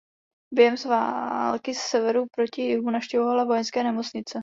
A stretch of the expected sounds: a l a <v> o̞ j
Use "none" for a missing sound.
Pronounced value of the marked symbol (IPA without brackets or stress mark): v